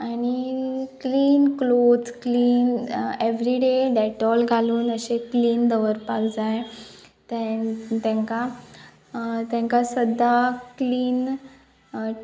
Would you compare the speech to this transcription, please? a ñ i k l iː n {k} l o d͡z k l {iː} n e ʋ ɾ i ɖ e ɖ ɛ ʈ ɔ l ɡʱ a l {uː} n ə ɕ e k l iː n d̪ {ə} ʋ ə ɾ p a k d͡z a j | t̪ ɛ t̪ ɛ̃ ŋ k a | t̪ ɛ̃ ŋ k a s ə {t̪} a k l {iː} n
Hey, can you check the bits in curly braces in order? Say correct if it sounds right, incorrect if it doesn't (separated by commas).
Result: correct, correct, correct, correct, incorrect, correct